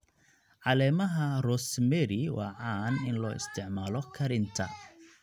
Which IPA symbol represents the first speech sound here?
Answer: ʕ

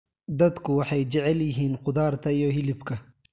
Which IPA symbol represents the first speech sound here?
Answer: d̪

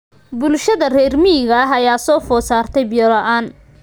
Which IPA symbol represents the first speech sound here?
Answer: b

